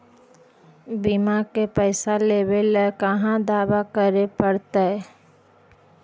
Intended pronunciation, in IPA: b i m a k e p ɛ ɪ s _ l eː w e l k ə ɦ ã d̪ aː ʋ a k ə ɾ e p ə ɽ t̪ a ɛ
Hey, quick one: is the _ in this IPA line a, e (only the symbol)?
a